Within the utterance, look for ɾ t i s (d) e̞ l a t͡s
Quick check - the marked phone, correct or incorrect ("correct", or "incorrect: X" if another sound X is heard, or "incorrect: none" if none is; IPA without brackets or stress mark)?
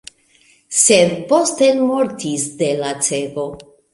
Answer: correct